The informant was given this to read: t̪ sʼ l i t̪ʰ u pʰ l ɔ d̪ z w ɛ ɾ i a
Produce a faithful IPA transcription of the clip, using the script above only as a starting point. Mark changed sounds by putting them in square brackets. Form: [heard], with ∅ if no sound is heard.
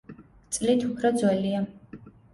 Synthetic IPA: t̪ sʼ l i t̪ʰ u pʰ [ɾ] ɔ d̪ z w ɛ [l] i a